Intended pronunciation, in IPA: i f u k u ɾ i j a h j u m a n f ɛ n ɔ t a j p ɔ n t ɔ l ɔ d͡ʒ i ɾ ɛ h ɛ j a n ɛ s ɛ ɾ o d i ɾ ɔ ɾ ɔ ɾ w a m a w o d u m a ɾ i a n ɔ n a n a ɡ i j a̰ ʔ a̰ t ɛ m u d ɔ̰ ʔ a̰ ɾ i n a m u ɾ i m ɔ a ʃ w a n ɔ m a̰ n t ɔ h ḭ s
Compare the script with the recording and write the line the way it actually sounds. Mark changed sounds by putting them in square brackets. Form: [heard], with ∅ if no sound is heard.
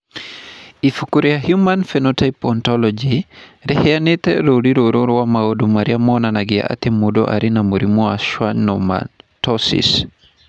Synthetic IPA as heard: i f u k u ɾ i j a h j u m a n f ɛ n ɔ t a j p ɔ n t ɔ l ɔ d͡ʒ i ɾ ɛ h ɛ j a n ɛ [t] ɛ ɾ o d i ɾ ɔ ɾ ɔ ɾ w a m a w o d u m a ɾ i a [m] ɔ n a n a ɡ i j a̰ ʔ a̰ t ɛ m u d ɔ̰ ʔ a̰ ɾ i n a m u ɾ i m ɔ a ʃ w a n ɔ m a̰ n t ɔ [s] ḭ s